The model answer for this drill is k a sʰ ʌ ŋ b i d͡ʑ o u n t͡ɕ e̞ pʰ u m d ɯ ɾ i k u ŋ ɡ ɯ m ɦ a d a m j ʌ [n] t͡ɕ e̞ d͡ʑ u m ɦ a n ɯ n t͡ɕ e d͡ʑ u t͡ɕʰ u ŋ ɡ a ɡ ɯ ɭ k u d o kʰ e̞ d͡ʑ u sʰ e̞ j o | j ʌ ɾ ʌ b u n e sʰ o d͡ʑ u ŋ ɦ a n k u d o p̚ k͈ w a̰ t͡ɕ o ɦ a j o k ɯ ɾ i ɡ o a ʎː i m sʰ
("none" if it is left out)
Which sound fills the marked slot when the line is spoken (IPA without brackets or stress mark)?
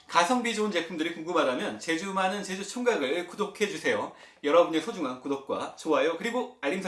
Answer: n